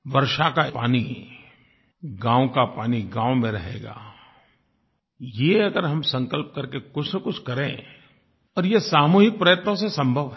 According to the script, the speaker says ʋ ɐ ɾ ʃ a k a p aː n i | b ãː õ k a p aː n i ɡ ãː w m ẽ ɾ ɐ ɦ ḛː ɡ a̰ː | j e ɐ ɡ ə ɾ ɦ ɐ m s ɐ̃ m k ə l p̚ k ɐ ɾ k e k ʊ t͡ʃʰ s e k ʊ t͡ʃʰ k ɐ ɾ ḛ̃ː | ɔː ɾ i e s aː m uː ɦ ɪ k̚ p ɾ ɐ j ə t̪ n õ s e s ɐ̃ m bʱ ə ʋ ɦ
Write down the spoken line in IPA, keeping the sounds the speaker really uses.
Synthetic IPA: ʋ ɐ ɾ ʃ a k a p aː n i | ɡ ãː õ k a p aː n i ɡ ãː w m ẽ ɾ ɐ ɦ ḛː ɡ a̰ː | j e ɐ ɡ ə ɾ ɦ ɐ m s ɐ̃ ŋ k ə l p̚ k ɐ ɾ k e k ʊ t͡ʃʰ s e k ʊ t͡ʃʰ k ɐ ɾ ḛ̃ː | ɔː ɾ j e s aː m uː ɦ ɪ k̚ p ɾ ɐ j ə t̪ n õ s e s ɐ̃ m bʱ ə ʋ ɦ